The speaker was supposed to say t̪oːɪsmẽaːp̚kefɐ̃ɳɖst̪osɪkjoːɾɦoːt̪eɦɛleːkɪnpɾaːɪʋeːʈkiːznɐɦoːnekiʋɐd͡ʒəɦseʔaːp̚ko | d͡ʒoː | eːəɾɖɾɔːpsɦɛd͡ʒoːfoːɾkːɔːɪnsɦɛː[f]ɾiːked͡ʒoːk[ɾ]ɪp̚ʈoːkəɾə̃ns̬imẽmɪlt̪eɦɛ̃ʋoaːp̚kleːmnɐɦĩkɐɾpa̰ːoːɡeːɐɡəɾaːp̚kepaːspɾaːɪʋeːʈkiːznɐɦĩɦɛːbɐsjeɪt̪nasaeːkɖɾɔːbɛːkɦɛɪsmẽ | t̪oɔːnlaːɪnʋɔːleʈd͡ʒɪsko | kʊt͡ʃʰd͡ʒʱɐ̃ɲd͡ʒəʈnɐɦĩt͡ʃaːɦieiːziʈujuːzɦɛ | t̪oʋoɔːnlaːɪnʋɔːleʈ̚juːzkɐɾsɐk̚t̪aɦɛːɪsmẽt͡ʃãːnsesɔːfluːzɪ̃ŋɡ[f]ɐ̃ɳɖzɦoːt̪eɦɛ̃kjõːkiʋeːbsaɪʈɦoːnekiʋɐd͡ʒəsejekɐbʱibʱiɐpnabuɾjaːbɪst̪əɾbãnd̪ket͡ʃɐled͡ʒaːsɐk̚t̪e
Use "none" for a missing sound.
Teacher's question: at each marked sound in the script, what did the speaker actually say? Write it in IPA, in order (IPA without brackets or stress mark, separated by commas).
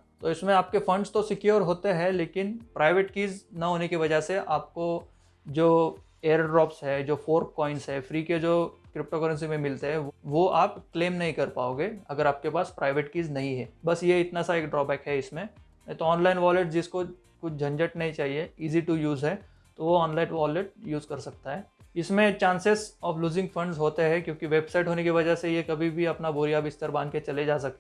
f, ɾ, f